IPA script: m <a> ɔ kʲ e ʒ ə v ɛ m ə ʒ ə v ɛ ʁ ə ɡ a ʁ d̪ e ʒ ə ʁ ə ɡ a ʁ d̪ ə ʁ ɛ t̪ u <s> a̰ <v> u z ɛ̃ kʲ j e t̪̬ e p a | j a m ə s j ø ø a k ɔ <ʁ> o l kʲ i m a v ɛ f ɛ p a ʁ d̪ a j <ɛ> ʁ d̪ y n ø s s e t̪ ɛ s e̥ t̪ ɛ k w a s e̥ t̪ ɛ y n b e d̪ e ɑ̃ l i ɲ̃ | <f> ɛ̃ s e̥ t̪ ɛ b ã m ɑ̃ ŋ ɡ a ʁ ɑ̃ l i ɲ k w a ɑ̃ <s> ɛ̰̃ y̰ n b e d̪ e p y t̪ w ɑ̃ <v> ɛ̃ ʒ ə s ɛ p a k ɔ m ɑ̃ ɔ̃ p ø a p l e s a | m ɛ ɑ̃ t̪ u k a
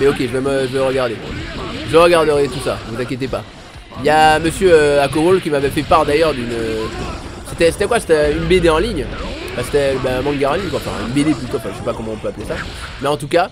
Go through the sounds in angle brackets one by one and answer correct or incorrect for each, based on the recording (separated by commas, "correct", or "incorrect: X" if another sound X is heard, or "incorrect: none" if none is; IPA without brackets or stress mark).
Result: incorrect: ɛ, correct, correct, correct, incorrect: œ, correct, incorrect: f, incorrect: f